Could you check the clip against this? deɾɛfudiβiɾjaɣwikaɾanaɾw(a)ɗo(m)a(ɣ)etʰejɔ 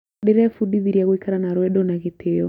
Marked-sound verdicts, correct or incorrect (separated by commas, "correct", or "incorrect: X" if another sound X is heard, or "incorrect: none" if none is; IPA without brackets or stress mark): incorrect: ɛ, incorrect: n, correct